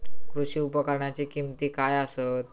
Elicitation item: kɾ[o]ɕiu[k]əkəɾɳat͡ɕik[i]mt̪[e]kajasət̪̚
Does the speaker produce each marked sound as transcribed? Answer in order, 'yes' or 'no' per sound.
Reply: no, no, yes, no

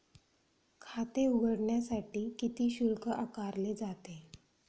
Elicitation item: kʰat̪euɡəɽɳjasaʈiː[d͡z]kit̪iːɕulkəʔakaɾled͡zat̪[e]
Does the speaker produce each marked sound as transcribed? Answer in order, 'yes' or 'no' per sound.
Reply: no, yes

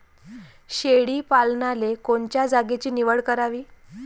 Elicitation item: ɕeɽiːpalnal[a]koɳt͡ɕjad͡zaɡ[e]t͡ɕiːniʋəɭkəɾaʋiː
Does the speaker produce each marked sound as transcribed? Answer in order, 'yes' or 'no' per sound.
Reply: no, yes

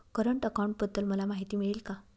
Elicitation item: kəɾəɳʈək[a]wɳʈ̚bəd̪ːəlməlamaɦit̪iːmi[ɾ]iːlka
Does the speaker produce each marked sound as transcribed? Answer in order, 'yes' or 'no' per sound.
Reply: yes, no

